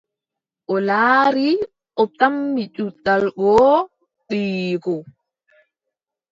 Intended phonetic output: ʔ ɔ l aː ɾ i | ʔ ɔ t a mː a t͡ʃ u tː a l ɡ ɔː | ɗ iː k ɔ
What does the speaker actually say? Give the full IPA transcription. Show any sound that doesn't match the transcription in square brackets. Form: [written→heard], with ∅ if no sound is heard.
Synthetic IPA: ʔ ɔ l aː ɾ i | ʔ ɔ t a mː [a→i] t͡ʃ u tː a l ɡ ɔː | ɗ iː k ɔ